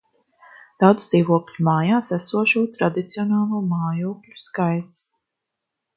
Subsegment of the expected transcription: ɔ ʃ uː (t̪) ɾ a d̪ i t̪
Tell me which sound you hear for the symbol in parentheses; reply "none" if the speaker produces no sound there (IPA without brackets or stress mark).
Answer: t̪